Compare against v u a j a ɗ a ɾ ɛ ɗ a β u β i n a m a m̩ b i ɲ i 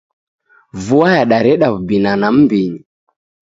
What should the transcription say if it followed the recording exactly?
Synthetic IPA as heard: v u a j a ɗ a ɾ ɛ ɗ a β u b i n a n a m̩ b i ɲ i